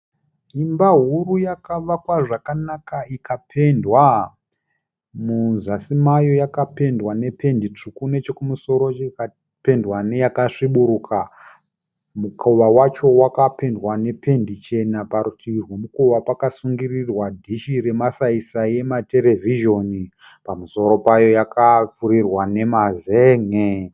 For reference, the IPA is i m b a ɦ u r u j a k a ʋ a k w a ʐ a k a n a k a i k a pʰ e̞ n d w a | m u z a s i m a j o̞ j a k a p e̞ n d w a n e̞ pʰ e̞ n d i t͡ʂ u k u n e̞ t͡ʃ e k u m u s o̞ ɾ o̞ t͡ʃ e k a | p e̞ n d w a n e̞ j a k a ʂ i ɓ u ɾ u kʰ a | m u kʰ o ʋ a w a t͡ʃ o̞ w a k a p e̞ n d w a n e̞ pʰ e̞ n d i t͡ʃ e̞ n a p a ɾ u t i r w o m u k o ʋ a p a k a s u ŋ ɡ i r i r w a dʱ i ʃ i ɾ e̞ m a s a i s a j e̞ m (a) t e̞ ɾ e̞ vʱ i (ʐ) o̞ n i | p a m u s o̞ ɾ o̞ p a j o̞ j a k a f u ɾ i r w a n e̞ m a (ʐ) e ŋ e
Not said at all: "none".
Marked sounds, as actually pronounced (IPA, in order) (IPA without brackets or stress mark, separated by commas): a, ʒ, z